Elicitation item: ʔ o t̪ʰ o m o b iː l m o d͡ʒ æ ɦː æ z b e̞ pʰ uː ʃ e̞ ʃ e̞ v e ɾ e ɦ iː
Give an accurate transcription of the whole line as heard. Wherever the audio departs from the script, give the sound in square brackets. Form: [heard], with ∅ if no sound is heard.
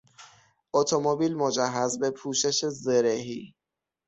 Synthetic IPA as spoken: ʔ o t̪ʰ o m o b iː l m o d͡ʒ æ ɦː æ z b e̞ pʰ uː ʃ e̞ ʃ e̞ [z] e ɾ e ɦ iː

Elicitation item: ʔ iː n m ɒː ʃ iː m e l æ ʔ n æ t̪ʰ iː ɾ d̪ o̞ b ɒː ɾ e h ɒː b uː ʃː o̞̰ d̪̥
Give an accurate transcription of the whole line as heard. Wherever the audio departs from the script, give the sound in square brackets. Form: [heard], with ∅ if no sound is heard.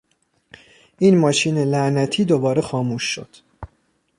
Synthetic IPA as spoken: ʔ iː n m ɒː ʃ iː [n] e l æ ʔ n æ t̪ʰ iː [∅] d̪ o̞ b ɒː ɾ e [x] ɒː [m] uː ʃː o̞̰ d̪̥

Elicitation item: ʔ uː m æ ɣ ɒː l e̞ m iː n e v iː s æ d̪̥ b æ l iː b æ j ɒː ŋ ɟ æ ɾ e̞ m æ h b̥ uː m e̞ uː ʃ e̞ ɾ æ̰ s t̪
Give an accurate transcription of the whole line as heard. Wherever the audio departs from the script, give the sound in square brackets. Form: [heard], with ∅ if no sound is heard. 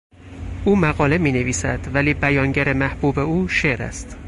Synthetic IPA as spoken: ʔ uː m æ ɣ ɒː l e̞ m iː n e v iː s æ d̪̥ [v] æ l iː b æ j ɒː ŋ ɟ æ ɾ e̞ m æ h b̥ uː [b] e̞ uː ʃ e̞ ɾ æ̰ s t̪

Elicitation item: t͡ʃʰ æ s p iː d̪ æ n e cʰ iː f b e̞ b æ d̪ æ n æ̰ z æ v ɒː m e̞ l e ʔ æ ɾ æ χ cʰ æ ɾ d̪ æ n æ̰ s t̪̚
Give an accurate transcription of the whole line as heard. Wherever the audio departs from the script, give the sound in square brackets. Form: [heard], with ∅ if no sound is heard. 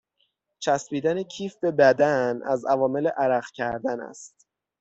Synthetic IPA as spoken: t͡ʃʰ æ s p iː d̪ æ n e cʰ iː f b e̞ b æ d̪ æ n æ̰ z æ v ɒː m e̞ l e ʔ æ ɾ æ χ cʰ æ ɾ d̪ æ n æ̰ s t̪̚

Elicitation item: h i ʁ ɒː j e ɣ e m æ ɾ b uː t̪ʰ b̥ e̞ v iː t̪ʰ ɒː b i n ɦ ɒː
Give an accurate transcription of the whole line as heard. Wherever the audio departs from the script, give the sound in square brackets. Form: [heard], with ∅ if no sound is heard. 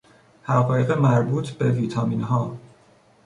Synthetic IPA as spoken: h [æ] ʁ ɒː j e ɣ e m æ ɾ b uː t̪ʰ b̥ e̞ v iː t̪ʰ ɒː [m] i n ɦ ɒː

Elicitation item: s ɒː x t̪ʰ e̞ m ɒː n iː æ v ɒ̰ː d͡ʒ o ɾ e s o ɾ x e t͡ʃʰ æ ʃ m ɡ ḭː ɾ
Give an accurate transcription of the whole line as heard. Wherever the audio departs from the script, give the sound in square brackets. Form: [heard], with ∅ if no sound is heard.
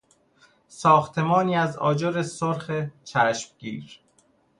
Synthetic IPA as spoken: s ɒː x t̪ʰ e̞ m ɒː n iː æ [z] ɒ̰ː d͡ʒ o ɾ e s o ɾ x e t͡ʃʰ æ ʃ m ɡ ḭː ɾ

